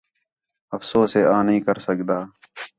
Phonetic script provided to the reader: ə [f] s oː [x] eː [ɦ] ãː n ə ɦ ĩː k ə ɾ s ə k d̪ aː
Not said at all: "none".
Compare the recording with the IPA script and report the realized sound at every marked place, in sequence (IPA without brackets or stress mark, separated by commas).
f, s, none